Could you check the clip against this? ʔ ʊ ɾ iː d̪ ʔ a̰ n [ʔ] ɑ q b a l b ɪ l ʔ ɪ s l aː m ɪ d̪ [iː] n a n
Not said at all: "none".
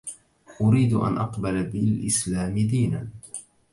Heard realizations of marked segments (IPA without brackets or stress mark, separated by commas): ʔ, iː